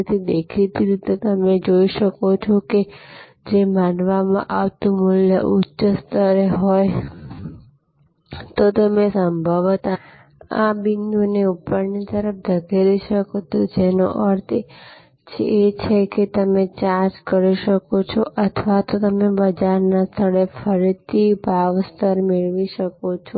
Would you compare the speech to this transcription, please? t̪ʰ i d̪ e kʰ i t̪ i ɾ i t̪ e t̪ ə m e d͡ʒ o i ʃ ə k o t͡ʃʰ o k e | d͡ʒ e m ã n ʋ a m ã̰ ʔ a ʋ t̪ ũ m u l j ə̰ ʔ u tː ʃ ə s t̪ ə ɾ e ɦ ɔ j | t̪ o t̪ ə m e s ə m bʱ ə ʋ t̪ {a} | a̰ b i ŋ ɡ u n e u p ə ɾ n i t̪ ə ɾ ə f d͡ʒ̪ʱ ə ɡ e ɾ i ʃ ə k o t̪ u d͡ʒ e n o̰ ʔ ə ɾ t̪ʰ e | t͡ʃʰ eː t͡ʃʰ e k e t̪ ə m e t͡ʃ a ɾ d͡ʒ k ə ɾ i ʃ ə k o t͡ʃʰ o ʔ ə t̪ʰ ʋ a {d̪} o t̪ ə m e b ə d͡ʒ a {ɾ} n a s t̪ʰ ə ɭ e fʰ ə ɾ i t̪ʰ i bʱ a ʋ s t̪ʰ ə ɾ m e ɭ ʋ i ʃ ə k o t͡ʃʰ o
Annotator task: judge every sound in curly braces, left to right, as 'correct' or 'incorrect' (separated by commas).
correct, incorrect, correct